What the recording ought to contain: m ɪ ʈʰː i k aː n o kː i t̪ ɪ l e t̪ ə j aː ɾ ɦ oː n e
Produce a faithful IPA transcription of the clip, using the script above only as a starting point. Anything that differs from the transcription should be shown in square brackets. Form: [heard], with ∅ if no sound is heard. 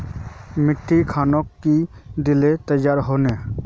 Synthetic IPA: m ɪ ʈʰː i [kʰ] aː n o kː i [d̪] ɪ l e t̪ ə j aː ɾ ɦ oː n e